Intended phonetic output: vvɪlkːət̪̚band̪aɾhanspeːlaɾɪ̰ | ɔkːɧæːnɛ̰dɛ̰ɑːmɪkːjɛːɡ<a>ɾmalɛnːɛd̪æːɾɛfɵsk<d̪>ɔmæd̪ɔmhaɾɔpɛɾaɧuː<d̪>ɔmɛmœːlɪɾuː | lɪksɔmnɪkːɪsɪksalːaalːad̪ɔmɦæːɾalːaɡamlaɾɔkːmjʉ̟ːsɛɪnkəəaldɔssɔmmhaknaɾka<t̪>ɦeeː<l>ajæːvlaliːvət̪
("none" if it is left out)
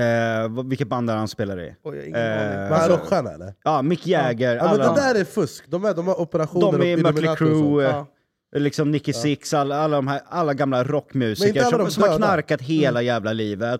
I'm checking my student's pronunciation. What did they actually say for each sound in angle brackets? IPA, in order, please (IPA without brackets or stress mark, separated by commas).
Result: ə, d̪, d̪, t̪, l